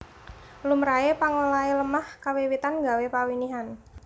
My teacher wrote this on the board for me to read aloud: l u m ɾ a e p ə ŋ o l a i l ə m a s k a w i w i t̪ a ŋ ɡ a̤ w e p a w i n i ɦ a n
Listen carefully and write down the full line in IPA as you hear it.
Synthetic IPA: l u m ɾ a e p a ŋ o l a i l ə m a h k a w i w i t̪ a n ɡ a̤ w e p a w i n i ɦ a n